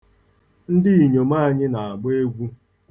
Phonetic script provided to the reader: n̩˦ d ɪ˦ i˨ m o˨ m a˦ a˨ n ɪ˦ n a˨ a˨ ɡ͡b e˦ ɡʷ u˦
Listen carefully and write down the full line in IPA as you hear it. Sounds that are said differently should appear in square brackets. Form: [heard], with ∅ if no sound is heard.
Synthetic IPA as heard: n̩˦ d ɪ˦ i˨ [ɲ] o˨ m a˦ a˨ [ɲ] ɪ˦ n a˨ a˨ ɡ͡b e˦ ɡʷ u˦